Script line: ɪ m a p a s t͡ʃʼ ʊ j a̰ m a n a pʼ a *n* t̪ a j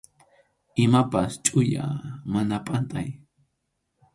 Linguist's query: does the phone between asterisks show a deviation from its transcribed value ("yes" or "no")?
no